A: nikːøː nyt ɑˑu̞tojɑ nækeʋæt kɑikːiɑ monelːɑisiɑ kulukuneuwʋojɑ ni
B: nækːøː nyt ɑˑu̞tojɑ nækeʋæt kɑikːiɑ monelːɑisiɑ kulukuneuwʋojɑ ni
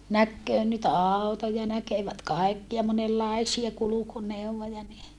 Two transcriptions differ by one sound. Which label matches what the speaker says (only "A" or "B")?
B